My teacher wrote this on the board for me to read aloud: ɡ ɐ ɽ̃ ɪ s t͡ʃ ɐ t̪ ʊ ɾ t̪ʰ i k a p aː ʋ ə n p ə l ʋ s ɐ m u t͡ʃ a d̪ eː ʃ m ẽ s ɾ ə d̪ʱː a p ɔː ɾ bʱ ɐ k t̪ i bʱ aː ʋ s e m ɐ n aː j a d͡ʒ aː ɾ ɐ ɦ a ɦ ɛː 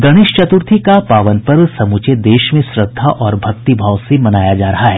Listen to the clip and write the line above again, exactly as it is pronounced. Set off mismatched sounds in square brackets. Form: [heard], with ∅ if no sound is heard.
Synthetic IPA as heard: ɡ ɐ ɽ̃ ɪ [ʃ] t͡ʃ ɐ t̪ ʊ ɾ t̪ʰ i k a p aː ʋ ə n p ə [ɾ] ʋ s ɐ m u t͡ʃ [e] d̪ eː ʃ m ẽ s ɾ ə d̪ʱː a [ʔ] ɔː ɾ bʱ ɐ k t̪ i bʱ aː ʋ s e m ɐ n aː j a d͡ʒ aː ɾ ɐ ɦ a ɦ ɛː